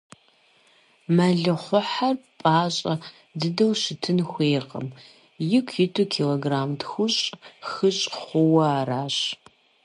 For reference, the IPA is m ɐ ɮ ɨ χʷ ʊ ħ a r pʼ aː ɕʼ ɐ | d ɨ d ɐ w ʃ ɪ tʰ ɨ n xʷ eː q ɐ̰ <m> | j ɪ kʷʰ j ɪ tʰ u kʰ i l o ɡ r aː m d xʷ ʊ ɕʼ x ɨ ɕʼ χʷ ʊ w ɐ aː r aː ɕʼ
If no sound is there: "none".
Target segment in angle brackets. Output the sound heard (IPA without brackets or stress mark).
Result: m